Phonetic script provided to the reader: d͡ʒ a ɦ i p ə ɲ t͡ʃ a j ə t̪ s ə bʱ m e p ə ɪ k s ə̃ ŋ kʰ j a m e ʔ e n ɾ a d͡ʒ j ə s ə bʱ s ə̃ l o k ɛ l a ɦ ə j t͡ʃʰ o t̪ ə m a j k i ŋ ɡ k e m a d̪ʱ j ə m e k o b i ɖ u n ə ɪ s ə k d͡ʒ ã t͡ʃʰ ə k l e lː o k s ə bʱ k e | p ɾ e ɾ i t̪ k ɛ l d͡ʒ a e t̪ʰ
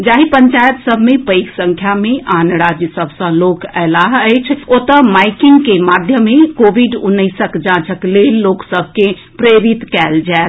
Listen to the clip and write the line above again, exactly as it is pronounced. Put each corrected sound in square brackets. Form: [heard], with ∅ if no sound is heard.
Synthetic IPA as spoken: d͡ʒ a ɦ i p ə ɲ t͡ʃ a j ə t̪ s ə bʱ m e p ə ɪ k s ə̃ ŋ kʰ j a m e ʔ [a] n ɾ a d͡ʒ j ə s ə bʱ s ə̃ l o k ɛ l a ɦ ə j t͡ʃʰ o t̪ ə m a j k i ŋ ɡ k e m a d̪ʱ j ə m e k o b i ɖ u n ə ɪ s ə k d͡ʒ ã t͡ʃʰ ə k l e lː o k s ə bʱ k e | p ɾ e ɾ i t̪ k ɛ l d͡ʒ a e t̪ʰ